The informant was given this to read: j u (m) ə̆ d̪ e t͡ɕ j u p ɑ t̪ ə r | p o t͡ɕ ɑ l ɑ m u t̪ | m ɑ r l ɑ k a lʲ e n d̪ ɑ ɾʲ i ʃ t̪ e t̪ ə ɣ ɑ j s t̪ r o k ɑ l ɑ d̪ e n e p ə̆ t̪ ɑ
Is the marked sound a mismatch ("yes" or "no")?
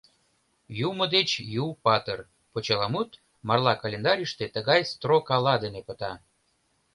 no